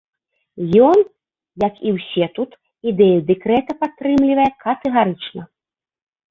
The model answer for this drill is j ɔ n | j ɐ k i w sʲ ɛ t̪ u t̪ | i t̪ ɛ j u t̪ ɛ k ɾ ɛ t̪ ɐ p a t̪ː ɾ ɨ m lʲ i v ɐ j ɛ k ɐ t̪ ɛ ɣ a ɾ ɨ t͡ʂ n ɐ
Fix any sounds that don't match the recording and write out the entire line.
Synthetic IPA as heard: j ɔ n | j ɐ k i w sʲ ɛ t̪ u t̪ | i d̪ ɛ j u d̪ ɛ k ɾ ɛ t̪ ɐ p a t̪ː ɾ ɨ m lʲ i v ɐ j ɛ k ɐ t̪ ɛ ɣ a ɾ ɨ t͡ʂ n ɐ